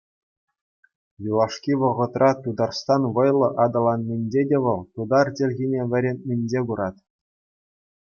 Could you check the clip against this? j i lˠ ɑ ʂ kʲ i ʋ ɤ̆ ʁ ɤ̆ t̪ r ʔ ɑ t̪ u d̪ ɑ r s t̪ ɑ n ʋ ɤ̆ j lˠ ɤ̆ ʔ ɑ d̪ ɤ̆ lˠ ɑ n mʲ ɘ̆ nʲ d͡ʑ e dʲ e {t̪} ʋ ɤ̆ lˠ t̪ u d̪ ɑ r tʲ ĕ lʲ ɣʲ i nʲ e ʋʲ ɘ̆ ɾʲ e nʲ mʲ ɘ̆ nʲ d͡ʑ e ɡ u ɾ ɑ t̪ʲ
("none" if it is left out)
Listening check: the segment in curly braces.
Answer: none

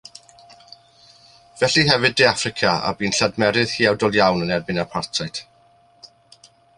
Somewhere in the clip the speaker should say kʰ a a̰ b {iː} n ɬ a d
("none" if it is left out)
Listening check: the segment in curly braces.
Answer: iː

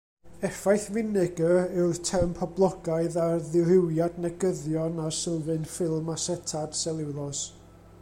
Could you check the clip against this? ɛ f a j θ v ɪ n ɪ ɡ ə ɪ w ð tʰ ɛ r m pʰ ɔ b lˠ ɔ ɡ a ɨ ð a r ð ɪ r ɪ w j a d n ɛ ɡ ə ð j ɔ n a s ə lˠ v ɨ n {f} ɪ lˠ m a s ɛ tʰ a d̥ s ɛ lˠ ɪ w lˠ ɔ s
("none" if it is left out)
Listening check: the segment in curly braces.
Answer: f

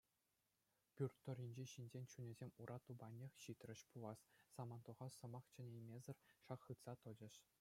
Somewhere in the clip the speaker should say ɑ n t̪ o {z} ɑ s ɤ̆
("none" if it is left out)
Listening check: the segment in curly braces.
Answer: ʁ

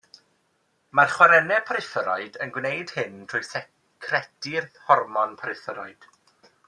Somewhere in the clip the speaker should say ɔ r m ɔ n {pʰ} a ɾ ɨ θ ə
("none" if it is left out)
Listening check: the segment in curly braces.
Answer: pʰ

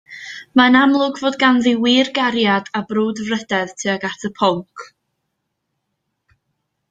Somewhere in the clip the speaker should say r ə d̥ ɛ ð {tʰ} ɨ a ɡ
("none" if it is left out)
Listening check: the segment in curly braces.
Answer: tʰ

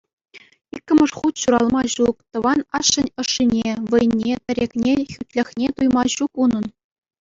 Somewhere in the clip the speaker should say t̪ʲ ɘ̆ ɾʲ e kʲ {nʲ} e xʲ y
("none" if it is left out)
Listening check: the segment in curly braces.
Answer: nʲ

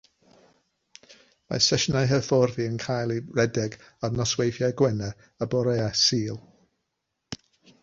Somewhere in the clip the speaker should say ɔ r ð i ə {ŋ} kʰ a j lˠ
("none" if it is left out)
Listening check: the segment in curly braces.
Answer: n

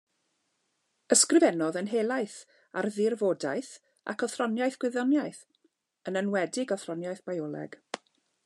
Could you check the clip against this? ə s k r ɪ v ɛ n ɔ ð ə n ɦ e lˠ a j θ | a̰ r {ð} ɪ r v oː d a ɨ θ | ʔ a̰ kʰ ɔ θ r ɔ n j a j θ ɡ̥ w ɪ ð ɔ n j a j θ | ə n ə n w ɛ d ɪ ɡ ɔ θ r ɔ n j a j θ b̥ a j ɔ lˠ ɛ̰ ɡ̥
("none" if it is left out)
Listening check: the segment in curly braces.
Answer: ð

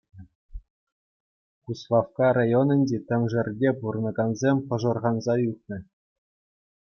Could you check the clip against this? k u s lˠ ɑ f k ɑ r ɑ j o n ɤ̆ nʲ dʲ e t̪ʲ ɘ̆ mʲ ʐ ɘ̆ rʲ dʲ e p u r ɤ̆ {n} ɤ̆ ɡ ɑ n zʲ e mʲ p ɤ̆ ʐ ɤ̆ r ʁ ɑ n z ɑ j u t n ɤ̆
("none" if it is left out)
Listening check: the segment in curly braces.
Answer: n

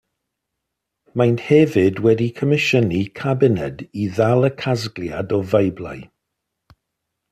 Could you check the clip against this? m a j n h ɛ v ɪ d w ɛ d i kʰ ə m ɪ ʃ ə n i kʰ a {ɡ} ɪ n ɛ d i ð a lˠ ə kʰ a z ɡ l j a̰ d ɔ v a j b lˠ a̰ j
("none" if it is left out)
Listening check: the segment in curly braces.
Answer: b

